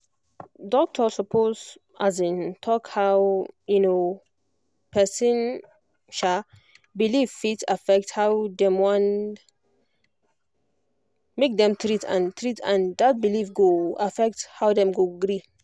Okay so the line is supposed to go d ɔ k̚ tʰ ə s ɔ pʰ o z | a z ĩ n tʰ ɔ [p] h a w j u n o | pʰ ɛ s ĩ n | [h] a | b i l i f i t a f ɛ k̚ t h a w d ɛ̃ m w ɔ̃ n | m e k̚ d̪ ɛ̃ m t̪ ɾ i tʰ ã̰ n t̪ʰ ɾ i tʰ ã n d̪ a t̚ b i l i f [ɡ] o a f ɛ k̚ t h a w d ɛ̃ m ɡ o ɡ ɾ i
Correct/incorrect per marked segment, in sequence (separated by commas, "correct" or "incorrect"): incorrect, incorrect, correct